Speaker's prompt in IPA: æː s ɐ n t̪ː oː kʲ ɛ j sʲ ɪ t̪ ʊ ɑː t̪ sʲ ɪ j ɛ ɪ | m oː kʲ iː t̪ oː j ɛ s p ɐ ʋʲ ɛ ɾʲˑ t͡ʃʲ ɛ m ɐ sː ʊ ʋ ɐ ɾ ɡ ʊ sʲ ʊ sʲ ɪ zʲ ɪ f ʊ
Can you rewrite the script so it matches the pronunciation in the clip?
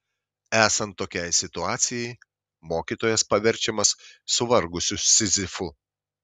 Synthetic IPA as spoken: æː s ɐ n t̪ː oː kʲ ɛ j sʲ ɪ t̪ ʊ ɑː t̪ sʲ ɪ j ɛ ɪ | m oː kʲ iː t̪ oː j ɛ s p ɐ ʋʲ ɛ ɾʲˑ t͡ʃʲ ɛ m ɐ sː ʊ ʋ ɐ ɾ ɡ ʊ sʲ ʊ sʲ ɪ zʲ ɪ f ʊ

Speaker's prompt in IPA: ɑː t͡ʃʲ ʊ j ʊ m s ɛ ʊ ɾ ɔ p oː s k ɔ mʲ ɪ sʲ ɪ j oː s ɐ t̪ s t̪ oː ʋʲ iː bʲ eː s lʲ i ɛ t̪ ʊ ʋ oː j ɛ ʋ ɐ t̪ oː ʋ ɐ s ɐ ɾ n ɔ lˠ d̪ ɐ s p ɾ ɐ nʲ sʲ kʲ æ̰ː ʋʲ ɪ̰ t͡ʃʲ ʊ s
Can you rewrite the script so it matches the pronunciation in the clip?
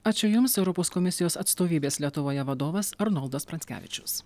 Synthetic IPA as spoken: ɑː t͡ʃʲ ʊ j ʊ m s ɛ ʊ ɾ ɔ p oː s k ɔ mʲ ɪ sʲ ɪ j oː s ɐ t̪ s t̪ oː ʋʲ iː bʲ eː s lʲ i ɛ t̪ ʊ ʋ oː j ɛ ʋ ɐ d̪ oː ʋ ɐ s ɐ ɾ n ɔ lˠ d̪ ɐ s p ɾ ɐ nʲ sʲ kʲ æ̰ː ʋʲ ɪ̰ t͡ʃʲ ʊ s

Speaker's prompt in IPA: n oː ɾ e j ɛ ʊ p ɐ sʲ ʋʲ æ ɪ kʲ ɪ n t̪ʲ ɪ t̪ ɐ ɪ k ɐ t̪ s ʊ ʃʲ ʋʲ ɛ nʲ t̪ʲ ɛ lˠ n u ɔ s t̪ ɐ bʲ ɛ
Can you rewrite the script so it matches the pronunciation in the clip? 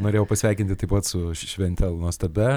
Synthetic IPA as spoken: n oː ɾ e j ɛ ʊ p ɐ sʲ ʋʲ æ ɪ kʲ ɪ n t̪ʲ ɪ t̪ ɐ ɪ p ɐ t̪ s ʊ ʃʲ ʋʲ ɛ nʲ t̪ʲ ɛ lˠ n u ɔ s t̪ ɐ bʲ ɛ

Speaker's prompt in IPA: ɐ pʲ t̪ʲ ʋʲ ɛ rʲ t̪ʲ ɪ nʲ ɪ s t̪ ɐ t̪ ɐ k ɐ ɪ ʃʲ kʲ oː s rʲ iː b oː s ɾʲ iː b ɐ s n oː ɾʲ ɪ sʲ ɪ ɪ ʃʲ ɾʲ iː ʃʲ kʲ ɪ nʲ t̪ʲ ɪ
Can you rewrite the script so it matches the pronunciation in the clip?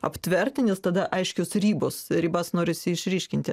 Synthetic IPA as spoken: ɐ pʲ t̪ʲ ʋʲ ɛ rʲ t̪ʲ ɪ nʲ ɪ s t̪ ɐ d̪ ɐ ʔ ɐ ɪ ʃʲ kʲ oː s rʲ iː b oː s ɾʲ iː b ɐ s n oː ɾʲ ɪ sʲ ɪ ɪ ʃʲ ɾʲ iː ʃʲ kʲ ɪ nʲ t̪ʲ ɪ

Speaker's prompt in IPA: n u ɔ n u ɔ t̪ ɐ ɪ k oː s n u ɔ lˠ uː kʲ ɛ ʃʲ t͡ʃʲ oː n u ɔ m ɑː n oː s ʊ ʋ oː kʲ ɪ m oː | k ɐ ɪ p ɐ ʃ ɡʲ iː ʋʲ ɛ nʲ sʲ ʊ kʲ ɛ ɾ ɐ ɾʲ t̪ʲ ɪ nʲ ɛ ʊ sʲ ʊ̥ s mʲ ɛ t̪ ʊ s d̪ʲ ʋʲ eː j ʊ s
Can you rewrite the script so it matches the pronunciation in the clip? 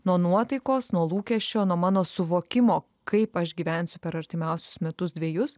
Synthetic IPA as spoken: n u ɔ n u ɔ t̪ ɐ ɪ k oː s n u ɔ lˠ uː kʲ ɛ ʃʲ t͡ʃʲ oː n u ɔ m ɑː n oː s ʊ ʋ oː kʲ ɪ m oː | k ɐ ɪ p ɐ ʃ ɡʲ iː ʋʲ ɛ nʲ sʲ ʊ pʲ ɛ ɾ ɐ ɾʲ t̪ʲ ɪ mʲ ɛ ʊ sʲ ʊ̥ s mʲ ɛ t̪ ʊ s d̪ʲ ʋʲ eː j ʊ s

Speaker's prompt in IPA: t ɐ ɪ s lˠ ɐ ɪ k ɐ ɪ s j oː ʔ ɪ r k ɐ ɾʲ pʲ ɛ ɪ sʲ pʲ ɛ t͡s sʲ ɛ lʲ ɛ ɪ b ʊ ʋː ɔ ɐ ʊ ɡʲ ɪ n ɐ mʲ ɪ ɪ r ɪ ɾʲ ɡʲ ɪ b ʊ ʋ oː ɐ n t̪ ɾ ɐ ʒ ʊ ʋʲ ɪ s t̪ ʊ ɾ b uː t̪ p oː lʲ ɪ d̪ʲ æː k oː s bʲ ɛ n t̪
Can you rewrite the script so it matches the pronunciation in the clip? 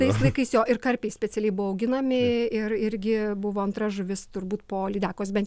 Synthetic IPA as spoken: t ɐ ɪ s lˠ ɐ ɪ k ɐ ɪ s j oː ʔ ɪ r k ɐ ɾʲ pʲ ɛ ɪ sʲ pʲ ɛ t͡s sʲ ɛ lʲ ɛ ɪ b ʊ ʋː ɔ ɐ ʊ ɡʲ ɪ n ɐ mʲ ɪ ɪ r ɪ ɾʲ ɡʲ ɪ b ʊ ʋ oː ɐ n t̪ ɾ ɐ ʒ ʊ ʋʲ ɪ s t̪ ʊ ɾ b uː t̪ p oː lʲ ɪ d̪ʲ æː k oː s bʲ ɛ n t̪

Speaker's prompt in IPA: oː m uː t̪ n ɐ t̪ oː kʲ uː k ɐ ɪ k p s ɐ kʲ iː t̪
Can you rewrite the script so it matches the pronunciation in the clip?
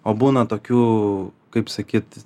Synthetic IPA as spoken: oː b uː n ɐ t̪ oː kʲ uː k ɐ ɪ p s ɐ kʲ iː t̪

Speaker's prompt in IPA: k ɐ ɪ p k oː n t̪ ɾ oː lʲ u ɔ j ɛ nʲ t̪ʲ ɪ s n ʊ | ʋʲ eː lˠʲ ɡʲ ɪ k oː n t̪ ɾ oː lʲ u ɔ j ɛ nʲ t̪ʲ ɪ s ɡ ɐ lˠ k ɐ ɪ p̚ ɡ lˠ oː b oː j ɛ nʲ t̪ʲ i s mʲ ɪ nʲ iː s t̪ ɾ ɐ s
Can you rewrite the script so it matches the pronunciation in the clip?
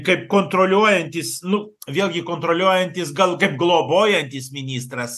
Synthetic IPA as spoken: k ɐ ɪ p k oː n t̪ ɾ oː lʲ u ɔ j ɛ nʲ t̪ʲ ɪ s n ʊ | ʋʲ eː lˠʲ ɡʲ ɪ k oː n t̪ ɾ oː lʲ u ɔ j ɛ nʲ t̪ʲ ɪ s ɡ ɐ lˠ k ɐ ɪ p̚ ɡ lˠ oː b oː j ɛ nʲ t̪ʲ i s mʲ ɪ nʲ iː s t̪ ɾ ɐ s

